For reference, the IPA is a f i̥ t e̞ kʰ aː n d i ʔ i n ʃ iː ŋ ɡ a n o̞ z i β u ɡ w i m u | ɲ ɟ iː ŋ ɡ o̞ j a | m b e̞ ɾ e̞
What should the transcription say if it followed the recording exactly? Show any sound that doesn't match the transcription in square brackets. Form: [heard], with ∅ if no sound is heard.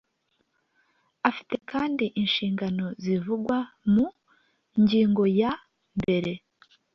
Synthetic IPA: a f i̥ t e̞ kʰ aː n d i ʔ i n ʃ iː ŋ ɡ a n o̞ z i [v] u ɡ w [a] m u | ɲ ɟ iː ŋ ɡ o̞ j a | m b e̞ ɾ e̞